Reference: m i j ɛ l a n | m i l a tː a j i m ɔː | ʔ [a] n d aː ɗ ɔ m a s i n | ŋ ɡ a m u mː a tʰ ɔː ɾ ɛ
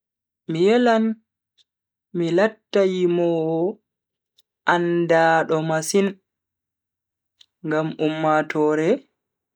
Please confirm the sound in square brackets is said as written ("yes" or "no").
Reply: yes